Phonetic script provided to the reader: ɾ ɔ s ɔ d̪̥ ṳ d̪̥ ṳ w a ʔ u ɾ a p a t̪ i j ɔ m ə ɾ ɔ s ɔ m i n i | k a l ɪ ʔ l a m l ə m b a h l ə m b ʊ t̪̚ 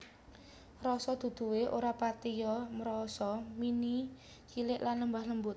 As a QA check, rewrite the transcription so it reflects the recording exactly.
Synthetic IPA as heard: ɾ ɔ s ɔ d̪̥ ṳ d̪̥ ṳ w e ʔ o ɾ a p a t̪ i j ɔ m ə ɾ ɔ s ɔ m i n i | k i l ɪ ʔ l a n l ə m b a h l ə m b ʊ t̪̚